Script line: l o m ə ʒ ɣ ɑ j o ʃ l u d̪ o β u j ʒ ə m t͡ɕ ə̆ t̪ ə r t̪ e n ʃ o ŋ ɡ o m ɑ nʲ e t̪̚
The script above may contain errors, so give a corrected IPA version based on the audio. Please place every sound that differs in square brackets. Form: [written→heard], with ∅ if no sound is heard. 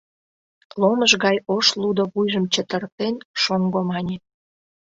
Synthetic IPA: l o m ə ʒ ɣ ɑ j o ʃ l u d̪ o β u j ʒ ə m t͡ɕ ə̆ t̪ ə r t̪ e n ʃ o ŋ ɡ o m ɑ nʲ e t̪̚